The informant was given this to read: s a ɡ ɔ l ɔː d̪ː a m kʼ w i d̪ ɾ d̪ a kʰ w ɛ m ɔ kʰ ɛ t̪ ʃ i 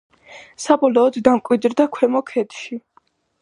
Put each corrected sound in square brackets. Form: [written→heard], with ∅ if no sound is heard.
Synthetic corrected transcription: s a [ɡ→b] ɔ l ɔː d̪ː a m kʼ w i d̪ ɾ d̪ a kʰ w ɛ m ɔ kʰ ɛ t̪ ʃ i

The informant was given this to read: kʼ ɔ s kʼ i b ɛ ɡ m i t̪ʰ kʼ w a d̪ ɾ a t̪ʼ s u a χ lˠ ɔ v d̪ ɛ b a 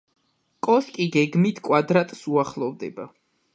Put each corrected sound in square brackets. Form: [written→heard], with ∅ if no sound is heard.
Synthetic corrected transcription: kʼ ɔ s kʼ i [b→ɡ] ɛ ɡ m i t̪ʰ kʼ w a d̪ ɾ a t̪ʼ s u a χ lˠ ɔ v d̪ ɛ b a

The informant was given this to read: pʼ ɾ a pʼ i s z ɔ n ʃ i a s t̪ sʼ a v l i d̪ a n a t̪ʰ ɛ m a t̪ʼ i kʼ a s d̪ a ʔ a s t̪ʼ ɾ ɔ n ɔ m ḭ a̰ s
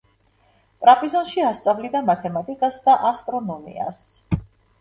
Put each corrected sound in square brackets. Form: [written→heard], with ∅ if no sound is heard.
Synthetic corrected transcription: pʼ ɾ a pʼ i [s→∅] z ɔ n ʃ i a s t̪ sʼ a v l i d̪ a [n→m] a t̪ʰ ɛ m a t̪ʼ i kʼ a s d̪ a ʔ a s t̪ʼ ɾ ɔ n ɔ m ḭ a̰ s

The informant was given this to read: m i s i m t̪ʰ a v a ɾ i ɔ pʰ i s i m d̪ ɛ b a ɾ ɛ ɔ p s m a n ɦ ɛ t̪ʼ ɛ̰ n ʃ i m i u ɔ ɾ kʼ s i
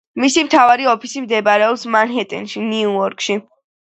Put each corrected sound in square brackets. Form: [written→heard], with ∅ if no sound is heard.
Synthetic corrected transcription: m i s i m t̪ʰ a v a ɾ i ɔ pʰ i s i m d̪ ɛ b a ɾ ɛ ɔ p s m a n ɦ ɛ t̪ʼ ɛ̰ n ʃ i [m→n] i u ɔ ɾ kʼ [s→ʃ] i

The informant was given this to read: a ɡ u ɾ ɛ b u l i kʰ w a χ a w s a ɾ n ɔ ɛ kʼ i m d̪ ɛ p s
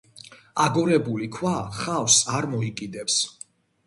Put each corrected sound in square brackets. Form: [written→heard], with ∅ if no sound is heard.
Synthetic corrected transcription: a ɡ [u→ɔ] ɾ ɛ b u l i kʰ w a χ a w s a ɾ [n→m] ɔ [ɛ→i] kʼ i [m→∅] d̪ ɛ p s

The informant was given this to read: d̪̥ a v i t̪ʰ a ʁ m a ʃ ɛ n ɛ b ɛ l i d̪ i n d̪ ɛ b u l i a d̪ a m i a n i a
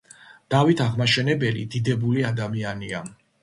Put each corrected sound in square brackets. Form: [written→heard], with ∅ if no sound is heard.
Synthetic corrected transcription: d̪̥ a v i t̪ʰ a ʁ m a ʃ ɛ n ɛ b ɛ l i d̪ i [n→∅] d̪ ɛ b u l i a d̪ a m i a n i a

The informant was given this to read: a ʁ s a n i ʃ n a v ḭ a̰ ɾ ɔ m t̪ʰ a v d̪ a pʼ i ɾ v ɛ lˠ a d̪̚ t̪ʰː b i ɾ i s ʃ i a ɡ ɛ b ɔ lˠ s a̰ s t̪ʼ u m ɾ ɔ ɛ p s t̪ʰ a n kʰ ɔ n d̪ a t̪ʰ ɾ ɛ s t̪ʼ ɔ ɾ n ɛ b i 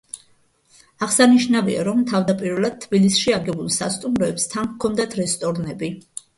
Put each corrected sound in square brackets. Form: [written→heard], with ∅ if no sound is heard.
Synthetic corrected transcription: a ʁ s a n i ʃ n a v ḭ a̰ ɾ ɔ m t̪ʰ a v d̪ a pʼ i ɾ v ɛ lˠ a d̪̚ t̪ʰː b i [ɾ→l] i s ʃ i a ɡ ɛ b [ɔ→u] lˠ s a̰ s t̪ʼ u m ɾ ɔ ɛ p s t̪ʰ a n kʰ ɔ n d̪ a t̪ʰ ɾ ɛ s t̪ʼ ɔ ɾ n ɛ b i

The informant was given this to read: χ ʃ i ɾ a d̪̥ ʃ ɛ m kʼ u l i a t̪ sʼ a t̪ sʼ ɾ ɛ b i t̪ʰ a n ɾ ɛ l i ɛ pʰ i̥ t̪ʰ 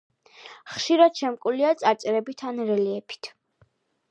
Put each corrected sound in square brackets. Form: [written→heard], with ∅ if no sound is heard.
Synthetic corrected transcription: χ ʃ i ɾ a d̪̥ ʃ ɛ m kʼ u l i a t̪ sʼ a t̪ sʼ ɾ ɛ b i t̪ʰ a n ɾ ɛ l i ɛ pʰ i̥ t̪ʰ

